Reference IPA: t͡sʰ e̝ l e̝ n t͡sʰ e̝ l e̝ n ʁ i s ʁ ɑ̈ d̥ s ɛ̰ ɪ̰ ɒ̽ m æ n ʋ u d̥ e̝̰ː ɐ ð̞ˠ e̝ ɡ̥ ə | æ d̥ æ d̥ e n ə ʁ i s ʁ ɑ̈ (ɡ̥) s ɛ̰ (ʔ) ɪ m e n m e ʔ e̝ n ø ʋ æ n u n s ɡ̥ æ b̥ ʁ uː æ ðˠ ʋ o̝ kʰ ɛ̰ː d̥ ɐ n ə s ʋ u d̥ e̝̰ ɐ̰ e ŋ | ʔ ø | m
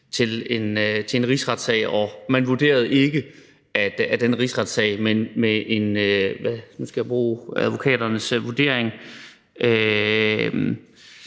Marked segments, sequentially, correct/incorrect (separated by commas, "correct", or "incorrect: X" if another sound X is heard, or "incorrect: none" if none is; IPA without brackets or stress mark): incorrect: d̥, incorrect: none